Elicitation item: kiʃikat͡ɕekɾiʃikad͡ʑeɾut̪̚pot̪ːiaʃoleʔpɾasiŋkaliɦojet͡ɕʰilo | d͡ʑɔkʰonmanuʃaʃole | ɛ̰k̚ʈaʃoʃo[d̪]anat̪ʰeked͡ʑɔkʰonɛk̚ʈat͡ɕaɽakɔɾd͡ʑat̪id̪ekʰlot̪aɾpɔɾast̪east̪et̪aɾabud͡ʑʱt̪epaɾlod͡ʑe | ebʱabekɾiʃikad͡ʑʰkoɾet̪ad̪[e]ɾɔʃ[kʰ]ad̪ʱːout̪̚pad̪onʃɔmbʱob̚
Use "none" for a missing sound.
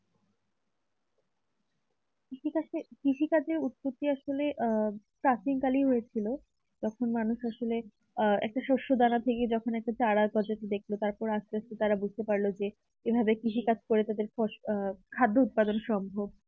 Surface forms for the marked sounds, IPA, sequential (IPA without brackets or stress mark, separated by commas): d̪, e, kʰ